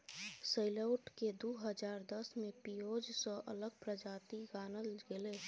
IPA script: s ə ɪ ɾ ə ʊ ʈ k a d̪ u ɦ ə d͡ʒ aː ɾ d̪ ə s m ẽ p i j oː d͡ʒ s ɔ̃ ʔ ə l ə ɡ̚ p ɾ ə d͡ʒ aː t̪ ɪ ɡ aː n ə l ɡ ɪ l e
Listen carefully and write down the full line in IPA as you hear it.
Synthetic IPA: s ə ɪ l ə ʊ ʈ k e d̪ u ɦ ə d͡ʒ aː ɾ d̪ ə s m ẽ p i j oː d͡ʒ s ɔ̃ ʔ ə l ə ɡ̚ p ɾ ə d͡ʒ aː t̪ i ɡ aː n ə l ɡ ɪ l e